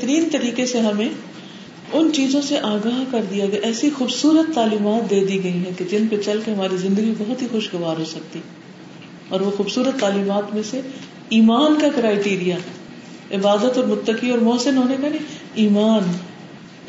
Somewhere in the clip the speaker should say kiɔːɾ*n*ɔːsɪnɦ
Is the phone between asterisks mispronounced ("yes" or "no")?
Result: yes